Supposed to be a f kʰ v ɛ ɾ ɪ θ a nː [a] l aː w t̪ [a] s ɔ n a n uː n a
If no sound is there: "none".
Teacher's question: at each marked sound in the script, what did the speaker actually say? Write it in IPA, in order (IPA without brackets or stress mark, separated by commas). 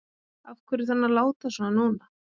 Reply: a, a